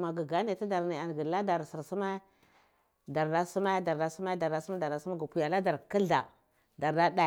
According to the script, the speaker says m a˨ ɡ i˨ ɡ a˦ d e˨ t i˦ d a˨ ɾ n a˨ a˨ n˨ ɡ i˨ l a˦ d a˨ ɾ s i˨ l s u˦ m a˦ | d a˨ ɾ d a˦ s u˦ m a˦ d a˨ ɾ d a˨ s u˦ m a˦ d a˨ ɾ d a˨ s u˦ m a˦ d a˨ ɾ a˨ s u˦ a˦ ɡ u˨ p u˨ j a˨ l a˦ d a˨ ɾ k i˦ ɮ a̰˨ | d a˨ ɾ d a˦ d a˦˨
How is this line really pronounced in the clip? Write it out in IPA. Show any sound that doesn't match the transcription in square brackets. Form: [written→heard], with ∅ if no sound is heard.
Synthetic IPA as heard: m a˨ ɡ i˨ ɡ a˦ [d→n] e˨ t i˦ d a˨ ɾ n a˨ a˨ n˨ ɡ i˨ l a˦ d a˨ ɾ s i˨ [l→ɾ] s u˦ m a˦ | d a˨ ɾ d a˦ s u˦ m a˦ d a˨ ɾ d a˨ s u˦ m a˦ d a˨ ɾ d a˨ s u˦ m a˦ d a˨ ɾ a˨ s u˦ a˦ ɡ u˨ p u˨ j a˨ l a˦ d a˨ ɾ k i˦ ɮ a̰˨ | d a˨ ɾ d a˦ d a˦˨